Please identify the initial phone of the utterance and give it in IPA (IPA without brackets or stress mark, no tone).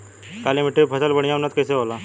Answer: k